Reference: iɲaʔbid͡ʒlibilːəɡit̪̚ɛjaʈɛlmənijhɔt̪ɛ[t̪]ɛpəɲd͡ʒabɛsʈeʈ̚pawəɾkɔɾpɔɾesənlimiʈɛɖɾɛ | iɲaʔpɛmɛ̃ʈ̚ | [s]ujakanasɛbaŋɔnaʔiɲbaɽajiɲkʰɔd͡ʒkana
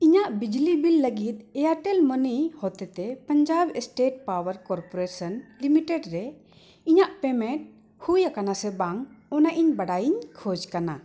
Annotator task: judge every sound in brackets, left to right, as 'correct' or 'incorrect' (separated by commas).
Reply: correct, incorrect